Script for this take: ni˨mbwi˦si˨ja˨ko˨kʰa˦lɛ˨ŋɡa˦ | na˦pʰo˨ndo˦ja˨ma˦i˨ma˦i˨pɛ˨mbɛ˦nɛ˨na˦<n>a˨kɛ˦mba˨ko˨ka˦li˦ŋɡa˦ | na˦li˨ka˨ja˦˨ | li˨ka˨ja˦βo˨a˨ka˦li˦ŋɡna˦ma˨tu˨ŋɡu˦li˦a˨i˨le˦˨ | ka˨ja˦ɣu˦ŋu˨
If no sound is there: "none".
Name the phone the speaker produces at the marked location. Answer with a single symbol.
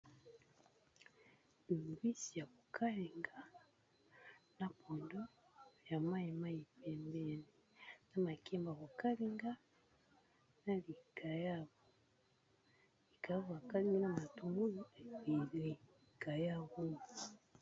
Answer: m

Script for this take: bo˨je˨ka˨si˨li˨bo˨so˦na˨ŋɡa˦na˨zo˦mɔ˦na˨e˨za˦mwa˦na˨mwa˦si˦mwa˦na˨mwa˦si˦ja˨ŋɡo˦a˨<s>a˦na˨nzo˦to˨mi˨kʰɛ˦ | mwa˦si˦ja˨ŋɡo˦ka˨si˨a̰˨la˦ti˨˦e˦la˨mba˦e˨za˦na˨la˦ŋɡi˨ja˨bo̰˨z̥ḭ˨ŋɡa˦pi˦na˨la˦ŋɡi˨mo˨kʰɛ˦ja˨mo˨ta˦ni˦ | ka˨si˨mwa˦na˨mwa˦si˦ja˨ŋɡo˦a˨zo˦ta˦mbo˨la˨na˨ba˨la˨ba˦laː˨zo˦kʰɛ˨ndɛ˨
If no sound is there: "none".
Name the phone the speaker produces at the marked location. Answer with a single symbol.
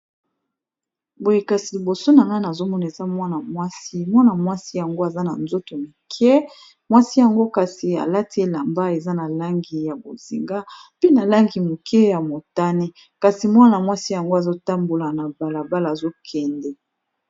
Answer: z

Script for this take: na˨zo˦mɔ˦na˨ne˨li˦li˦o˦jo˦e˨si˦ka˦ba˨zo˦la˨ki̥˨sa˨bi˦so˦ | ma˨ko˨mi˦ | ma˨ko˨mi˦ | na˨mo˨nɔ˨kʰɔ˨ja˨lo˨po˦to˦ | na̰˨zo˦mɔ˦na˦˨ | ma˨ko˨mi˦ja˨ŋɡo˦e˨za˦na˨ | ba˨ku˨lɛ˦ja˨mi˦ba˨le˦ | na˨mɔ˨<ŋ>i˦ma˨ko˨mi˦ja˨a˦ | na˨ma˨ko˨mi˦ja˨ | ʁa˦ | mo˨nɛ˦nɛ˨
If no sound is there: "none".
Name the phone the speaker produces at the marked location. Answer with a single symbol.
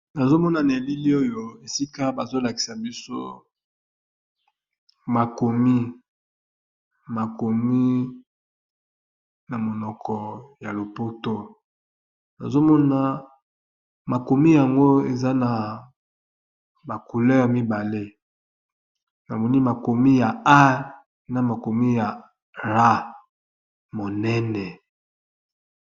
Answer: n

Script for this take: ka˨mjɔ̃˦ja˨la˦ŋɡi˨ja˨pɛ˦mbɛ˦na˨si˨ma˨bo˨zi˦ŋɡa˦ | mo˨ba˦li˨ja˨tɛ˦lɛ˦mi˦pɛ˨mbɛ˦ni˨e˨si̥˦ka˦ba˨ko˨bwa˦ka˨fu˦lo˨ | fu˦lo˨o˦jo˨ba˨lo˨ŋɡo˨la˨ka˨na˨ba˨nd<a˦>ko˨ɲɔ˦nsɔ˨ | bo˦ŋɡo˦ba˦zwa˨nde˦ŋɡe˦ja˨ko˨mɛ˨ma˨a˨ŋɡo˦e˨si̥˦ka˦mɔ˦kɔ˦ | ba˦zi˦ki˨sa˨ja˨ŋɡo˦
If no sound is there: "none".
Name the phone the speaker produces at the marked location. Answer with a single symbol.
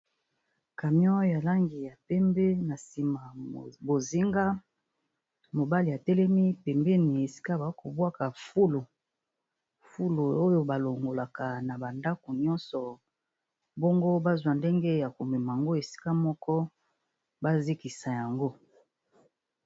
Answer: a˦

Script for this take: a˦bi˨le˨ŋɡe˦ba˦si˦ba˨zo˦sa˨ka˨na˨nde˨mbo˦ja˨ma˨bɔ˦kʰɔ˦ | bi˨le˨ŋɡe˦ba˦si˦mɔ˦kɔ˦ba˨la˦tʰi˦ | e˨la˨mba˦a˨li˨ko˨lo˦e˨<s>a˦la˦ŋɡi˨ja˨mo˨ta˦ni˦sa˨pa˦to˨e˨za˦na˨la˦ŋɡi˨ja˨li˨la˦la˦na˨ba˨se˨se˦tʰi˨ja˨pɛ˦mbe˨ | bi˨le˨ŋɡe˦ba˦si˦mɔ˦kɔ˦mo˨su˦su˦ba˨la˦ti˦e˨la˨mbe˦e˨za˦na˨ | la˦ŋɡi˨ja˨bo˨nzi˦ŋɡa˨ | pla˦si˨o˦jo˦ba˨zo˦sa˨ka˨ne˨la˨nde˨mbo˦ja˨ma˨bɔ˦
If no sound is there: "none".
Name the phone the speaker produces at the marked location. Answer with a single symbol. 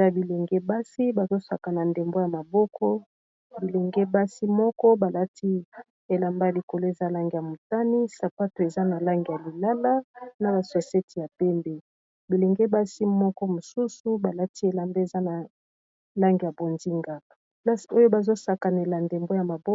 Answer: z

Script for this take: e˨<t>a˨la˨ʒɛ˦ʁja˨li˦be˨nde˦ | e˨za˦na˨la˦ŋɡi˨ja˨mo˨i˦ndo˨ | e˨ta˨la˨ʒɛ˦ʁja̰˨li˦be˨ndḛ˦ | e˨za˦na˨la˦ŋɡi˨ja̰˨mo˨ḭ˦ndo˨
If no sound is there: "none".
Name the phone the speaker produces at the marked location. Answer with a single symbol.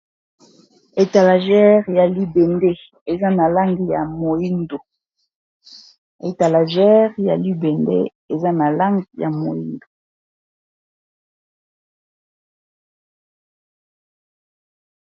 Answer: t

